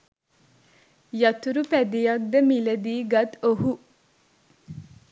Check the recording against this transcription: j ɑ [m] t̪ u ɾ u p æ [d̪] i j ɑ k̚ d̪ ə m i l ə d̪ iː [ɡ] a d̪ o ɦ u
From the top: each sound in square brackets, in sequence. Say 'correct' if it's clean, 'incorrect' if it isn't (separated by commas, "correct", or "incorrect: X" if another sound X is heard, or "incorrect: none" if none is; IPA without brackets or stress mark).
incorrect: none, correct, correct